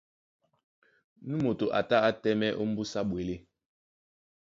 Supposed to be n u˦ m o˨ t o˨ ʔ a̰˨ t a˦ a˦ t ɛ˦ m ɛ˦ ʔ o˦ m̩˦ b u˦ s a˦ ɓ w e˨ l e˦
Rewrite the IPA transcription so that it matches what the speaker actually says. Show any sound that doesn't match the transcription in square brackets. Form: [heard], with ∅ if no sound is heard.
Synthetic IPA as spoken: n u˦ m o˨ t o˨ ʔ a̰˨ t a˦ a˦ t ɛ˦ m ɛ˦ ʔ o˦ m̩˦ b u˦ s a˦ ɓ w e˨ l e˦